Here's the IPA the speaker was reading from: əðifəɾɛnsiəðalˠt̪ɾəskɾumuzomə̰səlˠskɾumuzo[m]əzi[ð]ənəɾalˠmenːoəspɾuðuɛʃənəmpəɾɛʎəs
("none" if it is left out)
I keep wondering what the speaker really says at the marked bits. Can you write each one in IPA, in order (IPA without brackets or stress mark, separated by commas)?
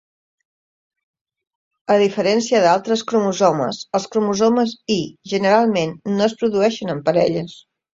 m, ʒ